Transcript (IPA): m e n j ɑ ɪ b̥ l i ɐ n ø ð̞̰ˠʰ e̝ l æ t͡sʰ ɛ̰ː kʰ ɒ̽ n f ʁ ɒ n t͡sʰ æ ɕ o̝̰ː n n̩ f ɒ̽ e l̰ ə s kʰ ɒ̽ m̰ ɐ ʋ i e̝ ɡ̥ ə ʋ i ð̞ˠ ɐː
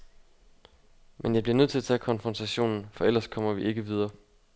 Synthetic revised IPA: m e n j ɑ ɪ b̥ l i ɐ n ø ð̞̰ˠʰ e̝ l æ t͡sʰ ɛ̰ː kʰ ɒ̽ n f ʁ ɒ n t͡sʰ æ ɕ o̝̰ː n n̩ f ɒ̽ e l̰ ɐ s kʰ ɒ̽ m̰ ɐ ʋ i e̝ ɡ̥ ə ʋ i ð̞ˠ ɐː